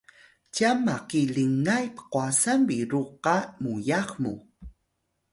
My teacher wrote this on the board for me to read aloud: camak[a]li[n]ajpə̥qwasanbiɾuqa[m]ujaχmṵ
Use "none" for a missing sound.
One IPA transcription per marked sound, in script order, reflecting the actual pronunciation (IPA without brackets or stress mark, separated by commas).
i, ŋ, m